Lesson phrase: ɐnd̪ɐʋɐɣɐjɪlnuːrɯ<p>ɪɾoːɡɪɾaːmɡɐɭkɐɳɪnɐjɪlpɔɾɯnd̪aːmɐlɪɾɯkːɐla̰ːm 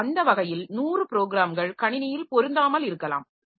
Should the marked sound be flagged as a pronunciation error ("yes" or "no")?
no